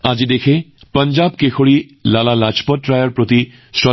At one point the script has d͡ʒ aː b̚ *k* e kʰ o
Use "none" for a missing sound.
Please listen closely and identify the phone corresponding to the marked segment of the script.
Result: k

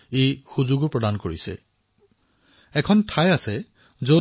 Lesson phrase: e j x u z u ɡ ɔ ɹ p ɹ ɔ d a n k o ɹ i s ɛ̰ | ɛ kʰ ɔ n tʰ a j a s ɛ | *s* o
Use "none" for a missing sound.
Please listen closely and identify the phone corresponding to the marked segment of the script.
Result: z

